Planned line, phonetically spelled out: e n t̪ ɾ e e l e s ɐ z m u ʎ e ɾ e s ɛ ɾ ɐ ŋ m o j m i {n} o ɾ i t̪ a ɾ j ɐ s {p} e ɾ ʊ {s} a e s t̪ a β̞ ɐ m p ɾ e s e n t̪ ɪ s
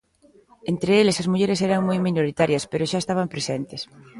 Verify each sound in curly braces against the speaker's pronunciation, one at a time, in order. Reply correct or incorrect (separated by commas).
correct, correct, incorrect